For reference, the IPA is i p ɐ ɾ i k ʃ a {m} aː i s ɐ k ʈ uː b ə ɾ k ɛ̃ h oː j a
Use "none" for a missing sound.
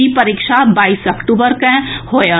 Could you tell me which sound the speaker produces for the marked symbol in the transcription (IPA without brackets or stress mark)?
b